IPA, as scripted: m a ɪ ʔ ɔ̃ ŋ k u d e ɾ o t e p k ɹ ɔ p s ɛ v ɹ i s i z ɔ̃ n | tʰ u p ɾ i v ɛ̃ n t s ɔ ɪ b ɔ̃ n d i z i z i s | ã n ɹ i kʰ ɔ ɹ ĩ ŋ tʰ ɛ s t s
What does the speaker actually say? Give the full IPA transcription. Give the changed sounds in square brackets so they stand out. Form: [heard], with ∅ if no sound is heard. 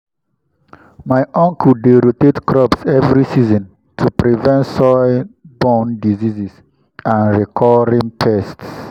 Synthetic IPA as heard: m a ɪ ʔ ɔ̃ ŋ k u d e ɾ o t e [t] k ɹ ɔ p s ɛ v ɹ i s i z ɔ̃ n | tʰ u p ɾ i v ɛ̃ n t s ɔ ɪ b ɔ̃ n d i z i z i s | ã n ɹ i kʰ ɔ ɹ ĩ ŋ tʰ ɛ s t s